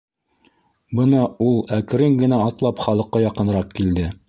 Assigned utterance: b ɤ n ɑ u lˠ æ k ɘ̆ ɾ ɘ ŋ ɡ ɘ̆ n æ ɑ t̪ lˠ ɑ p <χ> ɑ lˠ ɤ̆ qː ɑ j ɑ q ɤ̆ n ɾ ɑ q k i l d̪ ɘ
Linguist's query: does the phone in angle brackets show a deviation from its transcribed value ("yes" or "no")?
no